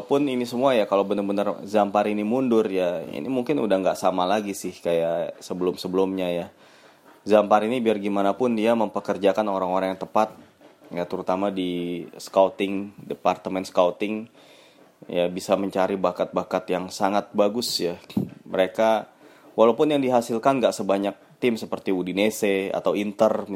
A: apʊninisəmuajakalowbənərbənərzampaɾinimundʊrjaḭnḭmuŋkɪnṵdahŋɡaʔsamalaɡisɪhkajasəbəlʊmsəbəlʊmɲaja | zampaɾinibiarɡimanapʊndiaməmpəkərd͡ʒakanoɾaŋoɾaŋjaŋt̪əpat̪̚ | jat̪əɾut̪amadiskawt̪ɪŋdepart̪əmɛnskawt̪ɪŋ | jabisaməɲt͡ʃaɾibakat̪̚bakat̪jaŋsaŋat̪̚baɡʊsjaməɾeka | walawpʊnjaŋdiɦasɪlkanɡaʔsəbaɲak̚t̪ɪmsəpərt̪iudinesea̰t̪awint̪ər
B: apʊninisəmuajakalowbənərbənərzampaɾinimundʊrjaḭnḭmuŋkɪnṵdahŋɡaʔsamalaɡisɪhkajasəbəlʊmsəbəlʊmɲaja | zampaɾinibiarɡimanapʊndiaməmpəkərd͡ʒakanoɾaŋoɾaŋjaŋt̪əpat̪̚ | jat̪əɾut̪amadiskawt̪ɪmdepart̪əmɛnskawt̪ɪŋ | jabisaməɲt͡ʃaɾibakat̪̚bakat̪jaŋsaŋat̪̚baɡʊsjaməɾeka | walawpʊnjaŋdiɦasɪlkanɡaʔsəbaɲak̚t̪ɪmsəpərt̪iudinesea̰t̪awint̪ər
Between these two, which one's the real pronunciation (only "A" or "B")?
A